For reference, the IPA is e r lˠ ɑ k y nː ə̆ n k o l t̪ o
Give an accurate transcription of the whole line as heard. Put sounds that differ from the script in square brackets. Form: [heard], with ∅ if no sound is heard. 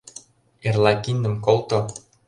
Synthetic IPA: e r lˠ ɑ k [i] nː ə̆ [m] k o l t̪ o